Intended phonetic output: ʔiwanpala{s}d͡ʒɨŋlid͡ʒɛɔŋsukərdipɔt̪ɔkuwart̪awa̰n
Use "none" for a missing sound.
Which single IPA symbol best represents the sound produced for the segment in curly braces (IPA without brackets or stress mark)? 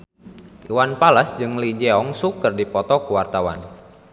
s